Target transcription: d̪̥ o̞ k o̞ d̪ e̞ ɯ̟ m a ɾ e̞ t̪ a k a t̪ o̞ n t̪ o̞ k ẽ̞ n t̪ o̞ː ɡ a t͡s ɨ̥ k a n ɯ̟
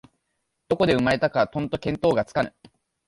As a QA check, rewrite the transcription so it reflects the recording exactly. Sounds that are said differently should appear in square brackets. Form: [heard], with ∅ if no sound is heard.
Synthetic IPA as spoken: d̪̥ o̞ k o̞ d̪ e̞ ɯ̟ m a ɾ e̞ t̪ a k a t̪ [õ̞] n t̪ o̞ k ẽ̞ n t̪ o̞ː ɡ a t͡s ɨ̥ k a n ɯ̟